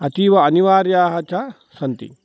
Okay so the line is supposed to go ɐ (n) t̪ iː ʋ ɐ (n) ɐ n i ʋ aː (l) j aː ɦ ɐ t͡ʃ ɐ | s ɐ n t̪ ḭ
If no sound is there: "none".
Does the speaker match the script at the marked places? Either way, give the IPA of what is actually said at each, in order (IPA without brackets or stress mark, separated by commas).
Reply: none, none, ɾ